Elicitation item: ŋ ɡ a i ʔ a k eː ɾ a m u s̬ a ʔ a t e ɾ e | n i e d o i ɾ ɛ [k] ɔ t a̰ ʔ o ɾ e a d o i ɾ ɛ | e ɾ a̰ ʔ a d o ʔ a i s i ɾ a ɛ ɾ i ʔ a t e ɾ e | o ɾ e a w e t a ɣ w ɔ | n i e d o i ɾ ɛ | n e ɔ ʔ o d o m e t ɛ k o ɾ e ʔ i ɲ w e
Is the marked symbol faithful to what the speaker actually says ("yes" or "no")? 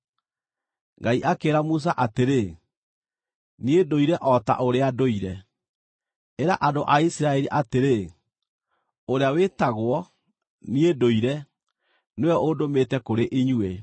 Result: no